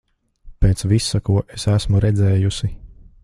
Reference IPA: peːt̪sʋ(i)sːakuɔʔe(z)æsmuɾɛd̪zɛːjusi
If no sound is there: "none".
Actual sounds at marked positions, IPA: i, s

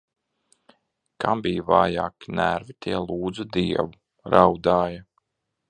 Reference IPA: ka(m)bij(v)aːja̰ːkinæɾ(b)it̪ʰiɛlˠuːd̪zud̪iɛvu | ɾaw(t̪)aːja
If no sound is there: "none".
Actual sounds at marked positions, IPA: m, v, v, d̪

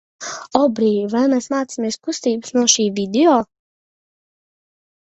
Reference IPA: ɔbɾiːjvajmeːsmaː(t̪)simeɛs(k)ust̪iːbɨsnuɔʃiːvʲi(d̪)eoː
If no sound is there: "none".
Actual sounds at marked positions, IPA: t̪, k, d̪

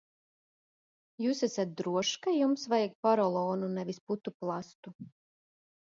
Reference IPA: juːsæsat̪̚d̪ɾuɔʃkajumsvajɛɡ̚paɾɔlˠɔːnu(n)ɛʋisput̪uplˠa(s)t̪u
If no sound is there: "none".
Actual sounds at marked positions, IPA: n, s

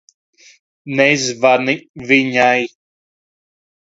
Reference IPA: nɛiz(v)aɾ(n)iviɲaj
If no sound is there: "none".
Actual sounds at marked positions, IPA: v, n

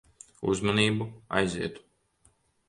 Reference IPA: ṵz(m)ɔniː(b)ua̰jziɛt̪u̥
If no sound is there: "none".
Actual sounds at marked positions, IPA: m, b

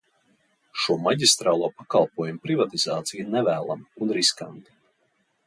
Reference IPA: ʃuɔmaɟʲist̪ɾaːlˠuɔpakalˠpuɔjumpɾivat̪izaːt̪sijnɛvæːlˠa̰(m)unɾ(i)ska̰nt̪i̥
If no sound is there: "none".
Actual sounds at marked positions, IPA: m, i

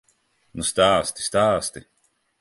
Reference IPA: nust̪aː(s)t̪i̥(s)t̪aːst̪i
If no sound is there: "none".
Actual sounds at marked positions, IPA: s, s

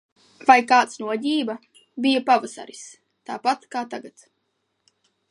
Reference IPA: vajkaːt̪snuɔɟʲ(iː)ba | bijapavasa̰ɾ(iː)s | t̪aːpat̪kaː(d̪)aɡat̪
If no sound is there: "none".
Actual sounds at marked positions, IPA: iː, i, t̪

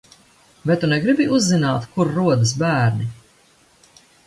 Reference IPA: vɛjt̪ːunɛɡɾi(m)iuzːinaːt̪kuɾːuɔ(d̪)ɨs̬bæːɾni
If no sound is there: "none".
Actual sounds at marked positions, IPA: b, d̪

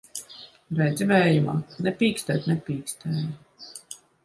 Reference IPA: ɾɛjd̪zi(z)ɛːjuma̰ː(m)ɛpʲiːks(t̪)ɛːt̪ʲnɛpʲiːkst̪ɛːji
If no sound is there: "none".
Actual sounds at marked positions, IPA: v, n, t̪

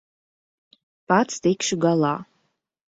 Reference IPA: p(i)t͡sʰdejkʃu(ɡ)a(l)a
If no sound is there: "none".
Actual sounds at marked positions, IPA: a, ɡ, l

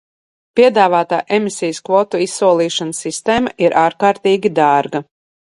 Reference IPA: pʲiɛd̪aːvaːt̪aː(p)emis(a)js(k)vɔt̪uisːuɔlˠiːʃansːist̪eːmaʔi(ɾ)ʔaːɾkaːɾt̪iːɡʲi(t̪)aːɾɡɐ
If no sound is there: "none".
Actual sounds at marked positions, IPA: ʔ, i, k, ɾ, d̪

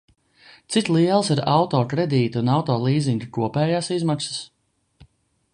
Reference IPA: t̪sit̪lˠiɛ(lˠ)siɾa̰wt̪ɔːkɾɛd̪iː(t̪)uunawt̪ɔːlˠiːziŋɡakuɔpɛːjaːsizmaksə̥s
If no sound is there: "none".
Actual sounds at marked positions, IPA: lˠ, t̪

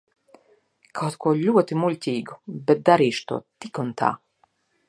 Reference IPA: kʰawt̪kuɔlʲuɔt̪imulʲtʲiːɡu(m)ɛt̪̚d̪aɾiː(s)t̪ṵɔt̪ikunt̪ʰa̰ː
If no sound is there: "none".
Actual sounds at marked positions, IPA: b, ʃ

